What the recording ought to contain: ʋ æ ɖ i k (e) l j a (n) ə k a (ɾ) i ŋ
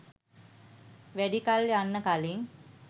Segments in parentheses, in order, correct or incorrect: incorrect: a, incorrect: nː, incorrect: l

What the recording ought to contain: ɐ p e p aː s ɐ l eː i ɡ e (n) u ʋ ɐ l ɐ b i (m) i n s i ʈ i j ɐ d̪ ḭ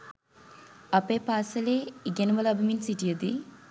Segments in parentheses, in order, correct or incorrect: correct, correct

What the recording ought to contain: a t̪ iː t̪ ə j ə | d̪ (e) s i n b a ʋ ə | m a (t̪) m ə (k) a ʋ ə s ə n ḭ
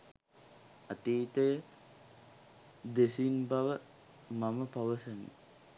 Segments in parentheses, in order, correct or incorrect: correct, incorrect: none, incorrect: p

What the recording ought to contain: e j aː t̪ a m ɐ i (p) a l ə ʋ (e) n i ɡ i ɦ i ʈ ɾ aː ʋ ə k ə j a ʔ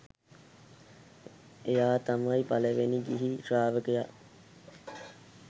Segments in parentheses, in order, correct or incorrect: correct, correct

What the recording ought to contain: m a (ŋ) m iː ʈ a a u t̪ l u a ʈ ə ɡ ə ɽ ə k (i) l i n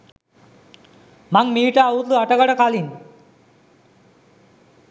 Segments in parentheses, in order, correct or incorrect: correct, incorrect: a

